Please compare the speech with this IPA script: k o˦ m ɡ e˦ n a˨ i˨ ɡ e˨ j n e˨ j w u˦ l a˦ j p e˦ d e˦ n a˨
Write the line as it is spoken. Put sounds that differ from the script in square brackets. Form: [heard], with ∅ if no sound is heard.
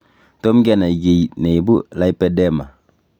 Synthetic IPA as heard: [t] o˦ m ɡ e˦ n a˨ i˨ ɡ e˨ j n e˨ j [b] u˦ l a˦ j p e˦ d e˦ [m] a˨